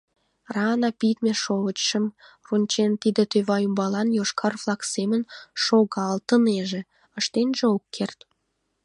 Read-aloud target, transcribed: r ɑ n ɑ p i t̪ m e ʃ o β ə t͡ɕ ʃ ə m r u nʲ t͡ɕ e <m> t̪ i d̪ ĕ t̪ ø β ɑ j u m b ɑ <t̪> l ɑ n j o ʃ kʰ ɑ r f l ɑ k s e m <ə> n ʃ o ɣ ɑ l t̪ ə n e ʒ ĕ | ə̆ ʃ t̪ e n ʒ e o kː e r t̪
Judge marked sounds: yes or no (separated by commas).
no, no, yes